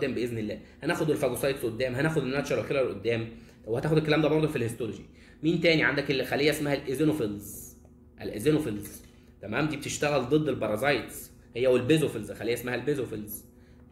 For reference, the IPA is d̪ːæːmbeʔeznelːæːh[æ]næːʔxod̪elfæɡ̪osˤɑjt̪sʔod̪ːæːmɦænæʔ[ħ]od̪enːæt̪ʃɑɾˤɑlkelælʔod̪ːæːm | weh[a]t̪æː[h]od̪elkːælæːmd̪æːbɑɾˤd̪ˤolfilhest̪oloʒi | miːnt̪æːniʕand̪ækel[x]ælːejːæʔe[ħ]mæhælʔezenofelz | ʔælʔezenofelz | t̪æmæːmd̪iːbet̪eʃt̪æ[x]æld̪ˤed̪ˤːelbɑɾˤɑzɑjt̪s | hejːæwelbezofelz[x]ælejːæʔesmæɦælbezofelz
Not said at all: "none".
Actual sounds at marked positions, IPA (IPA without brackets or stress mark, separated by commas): æ, x, æ, x, x, s, ɣ, x